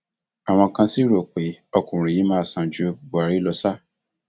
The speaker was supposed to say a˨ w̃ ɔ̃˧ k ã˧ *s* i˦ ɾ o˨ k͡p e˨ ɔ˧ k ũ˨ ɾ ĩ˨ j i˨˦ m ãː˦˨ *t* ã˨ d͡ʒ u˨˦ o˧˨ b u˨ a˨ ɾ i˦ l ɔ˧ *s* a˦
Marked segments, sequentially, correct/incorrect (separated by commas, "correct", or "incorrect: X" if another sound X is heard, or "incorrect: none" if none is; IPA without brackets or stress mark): correct, incorrect: s, correct